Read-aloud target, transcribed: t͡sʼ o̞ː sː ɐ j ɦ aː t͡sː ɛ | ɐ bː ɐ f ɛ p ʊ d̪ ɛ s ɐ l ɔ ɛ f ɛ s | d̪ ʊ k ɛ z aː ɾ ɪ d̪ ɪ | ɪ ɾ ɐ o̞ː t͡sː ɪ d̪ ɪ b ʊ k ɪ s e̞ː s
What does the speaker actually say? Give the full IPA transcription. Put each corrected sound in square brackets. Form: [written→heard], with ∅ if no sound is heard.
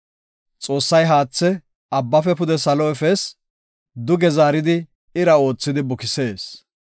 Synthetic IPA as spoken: t͡sʼ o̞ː sː ɐ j ɦ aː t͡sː ɛ | ɐ bː ɐ f ɛ p ʊ d̪ ɛ s ɐ l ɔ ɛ f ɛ s | d̪ ʊ [k→ɡ] ɛ z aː ɾ ɪ d̪ ɪ | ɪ ɾ ɐ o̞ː t͡sː ɪ d̪ ɪ b ʊ k ɪ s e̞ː s

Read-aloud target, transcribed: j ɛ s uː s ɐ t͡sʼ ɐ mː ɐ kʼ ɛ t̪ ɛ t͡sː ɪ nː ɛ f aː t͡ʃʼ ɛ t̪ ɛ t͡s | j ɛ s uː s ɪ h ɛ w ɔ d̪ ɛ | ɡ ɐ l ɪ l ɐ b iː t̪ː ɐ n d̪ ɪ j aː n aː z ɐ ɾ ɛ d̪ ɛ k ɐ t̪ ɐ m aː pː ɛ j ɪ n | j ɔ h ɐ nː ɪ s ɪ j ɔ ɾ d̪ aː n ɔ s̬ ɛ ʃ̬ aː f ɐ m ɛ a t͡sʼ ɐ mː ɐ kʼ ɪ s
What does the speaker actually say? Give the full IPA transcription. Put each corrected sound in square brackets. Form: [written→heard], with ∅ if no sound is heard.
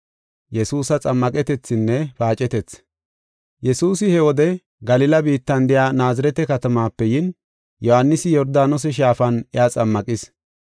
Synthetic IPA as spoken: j ɛ s uː s ɐ t͡sʼ ɐ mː ɐ kʼ ɛ t̪ ɛ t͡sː ɪ nː ɛ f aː t͡ʃʼ ɛ t̪ ɛ t͡s | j ɛ s uː s ɪ h ɛ w ɔ d̪ ɛ | ɡ ɐ l ɪ l ɐ b iː t̪ː ɐ n d̪ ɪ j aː n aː z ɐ ɾ ɛ [d̪→t̪] ɛ k ɐ t̪ ɐ m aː pː ɛ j ɪ n | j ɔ h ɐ nː ɪ s ɪ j ɔ ɾ d̪ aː n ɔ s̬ ɛ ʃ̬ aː f ɐ [m→n] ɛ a t͡sʼ ɐ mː ɐ kʼ ɪ s

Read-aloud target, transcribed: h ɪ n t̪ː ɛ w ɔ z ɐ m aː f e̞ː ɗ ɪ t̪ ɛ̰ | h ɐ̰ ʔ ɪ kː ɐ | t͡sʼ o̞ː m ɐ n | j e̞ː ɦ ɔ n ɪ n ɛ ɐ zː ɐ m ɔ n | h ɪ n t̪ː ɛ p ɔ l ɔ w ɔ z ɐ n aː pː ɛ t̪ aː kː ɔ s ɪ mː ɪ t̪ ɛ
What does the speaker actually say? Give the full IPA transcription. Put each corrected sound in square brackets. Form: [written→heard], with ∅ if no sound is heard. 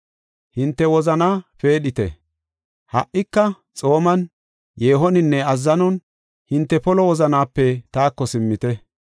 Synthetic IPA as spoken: h ɪ n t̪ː ɛ w ɔ z ɐ [m→n] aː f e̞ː ɗ ɪ t̪ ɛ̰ | h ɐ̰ ʔ ɪ kː ɐ | t͡sʼ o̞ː m ɐ n | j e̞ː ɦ ɔ n ɪ [n→nː] ɛ ɐ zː ɐ [m→n] ɔ n | h ɪ n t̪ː ɛ p ɔ l ɔ w ɔ z ɐ n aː pː ɛ t̪ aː kː ɔ s ɪ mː ɪ t̪ ɛ

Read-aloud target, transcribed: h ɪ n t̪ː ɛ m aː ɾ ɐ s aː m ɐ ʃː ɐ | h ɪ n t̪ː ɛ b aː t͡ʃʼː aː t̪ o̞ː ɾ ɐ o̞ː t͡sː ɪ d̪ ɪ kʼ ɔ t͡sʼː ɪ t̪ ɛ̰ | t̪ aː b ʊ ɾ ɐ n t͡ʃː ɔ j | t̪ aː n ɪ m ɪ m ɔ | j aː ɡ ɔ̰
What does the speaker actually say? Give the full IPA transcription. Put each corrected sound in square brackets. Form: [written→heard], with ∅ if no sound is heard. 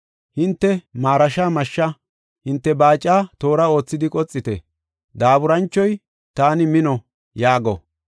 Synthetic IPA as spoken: h ɪ n t̪ː ɛ m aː ɾ ɐ [s→ʃ] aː m ɐ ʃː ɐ | h ɪ n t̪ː ɛ b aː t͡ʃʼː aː t̪ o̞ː ɾ ɐ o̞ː t͡sː ɪ d̪ ɪ kʼ ɔ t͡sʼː ɪ t̪ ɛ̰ | [t̪→d̪] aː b ʊ ɾ ɐ n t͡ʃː ɔ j | t̪ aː n ɪ m ɪ [m→n] ɔ | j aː ɡ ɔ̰

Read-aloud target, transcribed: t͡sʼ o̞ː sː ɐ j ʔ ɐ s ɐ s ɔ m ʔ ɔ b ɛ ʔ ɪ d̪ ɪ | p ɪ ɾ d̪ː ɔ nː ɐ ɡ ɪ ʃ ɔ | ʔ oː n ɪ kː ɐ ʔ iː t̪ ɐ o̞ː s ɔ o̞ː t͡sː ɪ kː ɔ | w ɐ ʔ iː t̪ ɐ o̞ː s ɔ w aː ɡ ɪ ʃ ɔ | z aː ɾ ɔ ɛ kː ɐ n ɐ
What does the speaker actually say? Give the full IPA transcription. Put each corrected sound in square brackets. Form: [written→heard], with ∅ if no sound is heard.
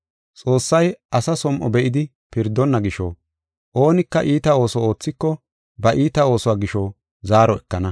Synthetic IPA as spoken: t͡sʼ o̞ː sː ɐ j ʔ ɐ s ɐ s ɔ m ʔ ɔ b ɛ ʔ ɪ d̪ ɪ | p ɪ ɾ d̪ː ɔ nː ɐ ɡ ɪ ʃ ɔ | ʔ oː n ɪ kː ɐ ʔ iː t̪ ɐ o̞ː s ɔ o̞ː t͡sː ɪ kː ɔ | [w→b] ɐ ʔ iː t̪ ɐ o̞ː s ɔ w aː ɡ ɪ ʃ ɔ | z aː ɾ ɔ ɛ kː ɐ n ɐ

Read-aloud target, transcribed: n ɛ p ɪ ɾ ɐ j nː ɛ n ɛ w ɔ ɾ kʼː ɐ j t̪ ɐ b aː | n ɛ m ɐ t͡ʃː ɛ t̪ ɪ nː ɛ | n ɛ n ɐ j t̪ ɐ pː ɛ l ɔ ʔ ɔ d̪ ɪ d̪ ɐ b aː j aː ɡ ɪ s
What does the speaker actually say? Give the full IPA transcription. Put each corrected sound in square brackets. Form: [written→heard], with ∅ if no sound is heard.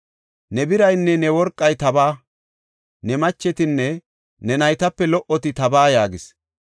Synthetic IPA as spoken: n ɛ [p→b] ɪ ɾ ɐ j nː ɛ n ɛ w ɔ ɾ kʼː ɐ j t̪ ɐ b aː | n ɛ m ɐ t͡ʃː ɛ t̪ ɪ nː ɛ | n ɛ n ɐ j t̪ ɐ pː ɛ l ɔ ʔ ɔ [d̪→t̪] ɪ [d̪→t̪] ɐ b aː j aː ɡ ɪ s

